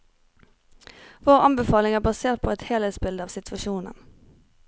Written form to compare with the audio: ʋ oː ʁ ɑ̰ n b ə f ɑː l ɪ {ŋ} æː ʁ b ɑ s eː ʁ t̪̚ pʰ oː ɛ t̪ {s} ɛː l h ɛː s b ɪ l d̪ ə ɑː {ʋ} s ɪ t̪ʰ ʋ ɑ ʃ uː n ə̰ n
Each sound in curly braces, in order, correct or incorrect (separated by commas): correct, incorrect, correct